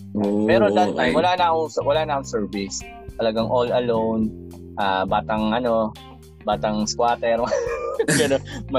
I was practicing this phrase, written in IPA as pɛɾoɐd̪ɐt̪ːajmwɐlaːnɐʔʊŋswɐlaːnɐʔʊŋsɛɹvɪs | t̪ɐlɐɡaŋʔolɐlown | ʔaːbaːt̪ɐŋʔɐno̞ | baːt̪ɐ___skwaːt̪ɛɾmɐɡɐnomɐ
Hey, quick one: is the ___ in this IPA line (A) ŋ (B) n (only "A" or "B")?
A